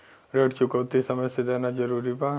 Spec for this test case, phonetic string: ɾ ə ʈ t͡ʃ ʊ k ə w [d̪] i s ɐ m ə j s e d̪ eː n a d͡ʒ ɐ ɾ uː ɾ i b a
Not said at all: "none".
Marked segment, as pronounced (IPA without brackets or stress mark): t̪